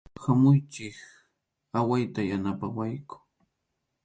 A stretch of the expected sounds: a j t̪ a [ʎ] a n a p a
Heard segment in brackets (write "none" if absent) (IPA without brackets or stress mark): j